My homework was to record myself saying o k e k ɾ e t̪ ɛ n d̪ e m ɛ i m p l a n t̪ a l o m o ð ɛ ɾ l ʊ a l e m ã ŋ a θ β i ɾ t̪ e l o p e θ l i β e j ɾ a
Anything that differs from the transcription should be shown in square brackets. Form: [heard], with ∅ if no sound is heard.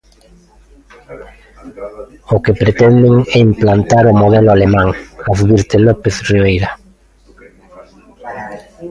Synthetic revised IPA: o k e [p] ɾ e t̪ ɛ n d̪ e [ŋ] ɛ i m p l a n t̪ a [ɾ] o m o ð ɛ [∅] l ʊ a l e m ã ŋ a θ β i ɾ t̪ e l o p e θ [r] i β e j ɾ a